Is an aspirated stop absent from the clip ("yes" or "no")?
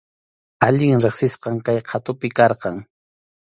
no